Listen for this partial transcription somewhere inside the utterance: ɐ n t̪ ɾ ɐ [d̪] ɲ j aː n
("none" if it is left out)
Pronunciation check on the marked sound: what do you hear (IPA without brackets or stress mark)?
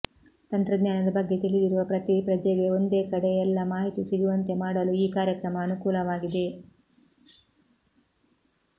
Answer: d̪